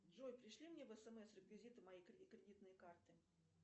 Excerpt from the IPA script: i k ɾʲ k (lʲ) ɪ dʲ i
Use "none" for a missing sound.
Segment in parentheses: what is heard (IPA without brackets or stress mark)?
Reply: ɾʲ